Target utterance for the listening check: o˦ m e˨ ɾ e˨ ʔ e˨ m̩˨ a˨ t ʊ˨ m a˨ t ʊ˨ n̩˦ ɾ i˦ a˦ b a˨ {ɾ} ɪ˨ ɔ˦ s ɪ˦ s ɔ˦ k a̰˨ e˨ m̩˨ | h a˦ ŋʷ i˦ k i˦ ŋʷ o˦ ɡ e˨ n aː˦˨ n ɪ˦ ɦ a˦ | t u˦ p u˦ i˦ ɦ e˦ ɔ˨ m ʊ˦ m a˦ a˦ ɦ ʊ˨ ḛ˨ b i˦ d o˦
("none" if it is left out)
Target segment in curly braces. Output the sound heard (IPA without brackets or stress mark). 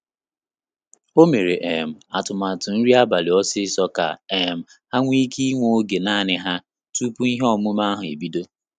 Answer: l